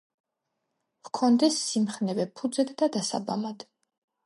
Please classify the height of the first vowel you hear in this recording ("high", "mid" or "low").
mid